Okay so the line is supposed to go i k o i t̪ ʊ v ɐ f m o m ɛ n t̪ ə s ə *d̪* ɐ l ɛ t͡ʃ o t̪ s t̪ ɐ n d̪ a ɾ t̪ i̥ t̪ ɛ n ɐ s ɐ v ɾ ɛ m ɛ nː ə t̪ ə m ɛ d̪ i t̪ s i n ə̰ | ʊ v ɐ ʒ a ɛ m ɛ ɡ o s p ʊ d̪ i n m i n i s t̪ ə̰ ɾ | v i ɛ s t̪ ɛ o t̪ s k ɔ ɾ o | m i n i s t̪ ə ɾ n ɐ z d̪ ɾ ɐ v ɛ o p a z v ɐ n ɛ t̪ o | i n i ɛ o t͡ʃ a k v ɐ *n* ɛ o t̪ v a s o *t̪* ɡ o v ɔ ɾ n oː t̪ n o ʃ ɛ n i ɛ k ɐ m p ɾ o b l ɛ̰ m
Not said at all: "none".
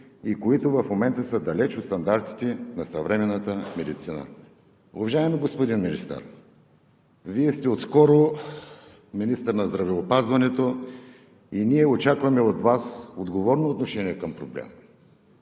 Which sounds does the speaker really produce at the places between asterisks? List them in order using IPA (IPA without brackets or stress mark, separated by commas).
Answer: d̪, m, d̪